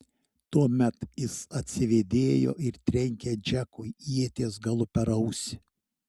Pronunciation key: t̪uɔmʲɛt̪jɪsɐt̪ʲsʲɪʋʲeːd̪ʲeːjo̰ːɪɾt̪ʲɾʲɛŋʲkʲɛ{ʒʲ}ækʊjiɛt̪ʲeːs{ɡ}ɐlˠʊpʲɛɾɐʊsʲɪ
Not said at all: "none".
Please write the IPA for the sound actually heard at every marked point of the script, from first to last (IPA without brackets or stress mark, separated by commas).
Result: d͡ʒʲ, ɡ